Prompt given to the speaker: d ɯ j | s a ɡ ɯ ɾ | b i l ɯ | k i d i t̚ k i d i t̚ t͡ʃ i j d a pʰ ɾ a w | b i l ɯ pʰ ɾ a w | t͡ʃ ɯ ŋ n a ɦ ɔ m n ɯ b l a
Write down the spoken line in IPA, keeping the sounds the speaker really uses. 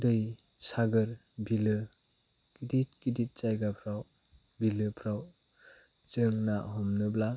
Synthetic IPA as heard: d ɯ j | s a ɡ ɯ ɾ | b i l ɯ | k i d i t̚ k i d i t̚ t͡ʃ a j ɡ a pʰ ɾ a w | b i l ɯ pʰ ɾ a w | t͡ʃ ɯ ŋ n a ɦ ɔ m n ɯ b l a